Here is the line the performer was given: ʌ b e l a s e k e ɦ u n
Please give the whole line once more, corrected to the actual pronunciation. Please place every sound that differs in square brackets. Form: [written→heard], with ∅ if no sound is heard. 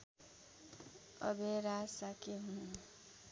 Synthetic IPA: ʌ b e [l→ɾ] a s [e→a] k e ɦ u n